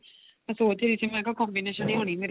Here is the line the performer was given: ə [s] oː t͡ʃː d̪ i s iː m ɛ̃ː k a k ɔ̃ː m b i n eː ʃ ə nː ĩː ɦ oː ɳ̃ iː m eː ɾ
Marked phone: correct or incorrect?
correct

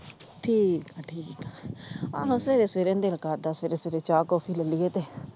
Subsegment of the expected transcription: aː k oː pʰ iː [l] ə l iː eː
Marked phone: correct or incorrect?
correct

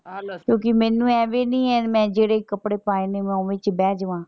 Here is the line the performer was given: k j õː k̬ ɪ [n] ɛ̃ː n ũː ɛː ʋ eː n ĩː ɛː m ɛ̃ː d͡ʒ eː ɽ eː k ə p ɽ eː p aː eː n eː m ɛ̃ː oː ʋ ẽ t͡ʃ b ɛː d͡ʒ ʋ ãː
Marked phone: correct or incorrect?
incorrect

